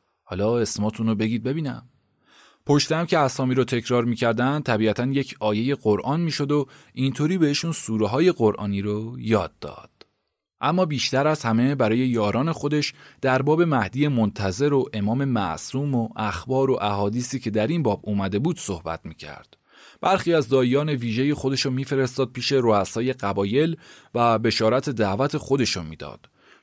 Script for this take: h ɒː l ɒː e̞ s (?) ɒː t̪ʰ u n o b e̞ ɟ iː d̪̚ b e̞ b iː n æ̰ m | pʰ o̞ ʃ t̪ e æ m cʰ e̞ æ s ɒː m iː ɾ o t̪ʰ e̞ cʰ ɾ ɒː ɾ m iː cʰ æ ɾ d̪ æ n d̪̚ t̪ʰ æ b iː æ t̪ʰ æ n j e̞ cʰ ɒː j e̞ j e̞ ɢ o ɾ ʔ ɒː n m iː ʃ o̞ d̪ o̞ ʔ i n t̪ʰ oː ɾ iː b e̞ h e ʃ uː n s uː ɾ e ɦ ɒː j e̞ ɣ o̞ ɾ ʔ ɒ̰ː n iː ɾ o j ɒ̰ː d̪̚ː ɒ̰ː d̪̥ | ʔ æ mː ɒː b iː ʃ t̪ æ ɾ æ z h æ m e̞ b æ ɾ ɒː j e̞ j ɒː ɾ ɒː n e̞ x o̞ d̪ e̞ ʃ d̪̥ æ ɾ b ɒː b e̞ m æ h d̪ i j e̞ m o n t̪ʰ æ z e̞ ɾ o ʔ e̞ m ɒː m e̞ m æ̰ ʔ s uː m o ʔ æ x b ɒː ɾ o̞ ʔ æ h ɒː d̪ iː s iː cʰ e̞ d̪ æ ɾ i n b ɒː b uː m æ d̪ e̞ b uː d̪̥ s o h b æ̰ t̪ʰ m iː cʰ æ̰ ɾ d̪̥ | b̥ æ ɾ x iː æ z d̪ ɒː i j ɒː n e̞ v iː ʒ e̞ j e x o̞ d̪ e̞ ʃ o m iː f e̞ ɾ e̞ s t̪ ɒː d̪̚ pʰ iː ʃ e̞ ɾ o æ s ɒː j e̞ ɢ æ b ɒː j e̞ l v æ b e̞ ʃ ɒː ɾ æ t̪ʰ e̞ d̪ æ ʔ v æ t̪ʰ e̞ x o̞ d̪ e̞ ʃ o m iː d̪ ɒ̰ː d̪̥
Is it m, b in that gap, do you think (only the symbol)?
m